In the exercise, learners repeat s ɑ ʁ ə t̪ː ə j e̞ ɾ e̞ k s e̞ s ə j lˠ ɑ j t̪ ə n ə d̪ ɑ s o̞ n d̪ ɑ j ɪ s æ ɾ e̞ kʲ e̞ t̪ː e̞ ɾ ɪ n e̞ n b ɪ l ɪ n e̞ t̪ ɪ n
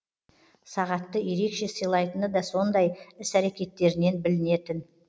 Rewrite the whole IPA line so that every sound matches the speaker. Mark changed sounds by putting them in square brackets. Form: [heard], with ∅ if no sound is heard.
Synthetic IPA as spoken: s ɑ ʁ [ɑ] t̪ː ə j e̞ ɾ e̞ k [ʃ] e̞ s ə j lˠ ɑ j t̪ ə n ə d̪ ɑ s o̞ n d̪ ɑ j ɪ s æ ɾ e̞ kʲ e̞ t̪ː e̞ ɾ ɪ n e̞ n b ɪ l ɪ n e̞ t̪ ɪ n